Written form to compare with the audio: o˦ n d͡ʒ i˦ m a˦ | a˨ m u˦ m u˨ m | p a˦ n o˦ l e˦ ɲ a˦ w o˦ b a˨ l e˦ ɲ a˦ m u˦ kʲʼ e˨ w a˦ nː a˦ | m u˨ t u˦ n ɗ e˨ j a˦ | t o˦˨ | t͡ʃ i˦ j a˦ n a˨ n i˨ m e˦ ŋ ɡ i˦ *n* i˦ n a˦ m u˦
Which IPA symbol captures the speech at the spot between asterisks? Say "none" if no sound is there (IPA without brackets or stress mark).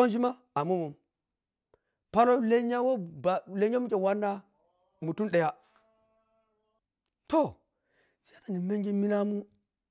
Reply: m